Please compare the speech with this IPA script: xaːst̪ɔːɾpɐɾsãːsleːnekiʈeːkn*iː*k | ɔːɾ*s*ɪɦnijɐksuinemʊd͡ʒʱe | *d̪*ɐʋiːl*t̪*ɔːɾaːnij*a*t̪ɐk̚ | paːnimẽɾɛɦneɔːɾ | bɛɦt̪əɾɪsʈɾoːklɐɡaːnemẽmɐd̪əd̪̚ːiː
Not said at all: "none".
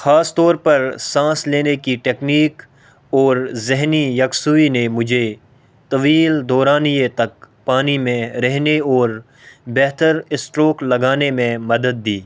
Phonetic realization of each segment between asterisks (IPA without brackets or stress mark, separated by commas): iː, z, t̪, d̪, e